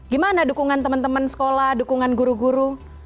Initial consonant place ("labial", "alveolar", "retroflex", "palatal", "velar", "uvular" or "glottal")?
velar